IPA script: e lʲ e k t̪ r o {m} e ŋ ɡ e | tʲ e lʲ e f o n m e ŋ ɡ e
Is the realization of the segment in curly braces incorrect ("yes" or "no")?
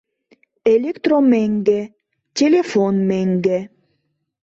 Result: no